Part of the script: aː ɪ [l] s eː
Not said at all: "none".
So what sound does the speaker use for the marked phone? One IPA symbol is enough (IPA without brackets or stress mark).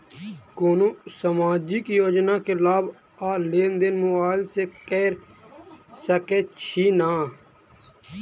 l